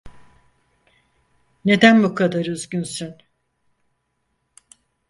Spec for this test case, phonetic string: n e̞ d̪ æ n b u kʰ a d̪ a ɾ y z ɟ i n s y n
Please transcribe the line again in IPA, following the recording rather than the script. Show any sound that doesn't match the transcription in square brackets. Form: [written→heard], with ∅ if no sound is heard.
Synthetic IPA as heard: n e̞ d̪ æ n b u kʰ a d̪ a ɾ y z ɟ [i→y] n s y n